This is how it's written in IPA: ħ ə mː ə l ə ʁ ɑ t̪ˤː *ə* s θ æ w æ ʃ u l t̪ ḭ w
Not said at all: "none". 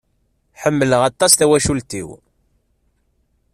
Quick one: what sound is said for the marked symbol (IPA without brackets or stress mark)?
ɑ